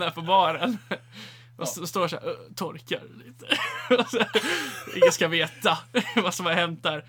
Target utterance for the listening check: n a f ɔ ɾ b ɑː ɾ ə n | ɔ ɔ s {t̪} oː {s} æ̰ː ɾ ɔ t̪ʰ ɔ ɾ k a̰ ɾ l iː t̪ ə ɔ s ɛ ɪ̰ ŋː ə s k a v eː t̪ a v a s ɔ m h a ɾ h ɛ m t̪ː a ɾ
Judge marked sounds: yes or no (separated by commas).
yes, no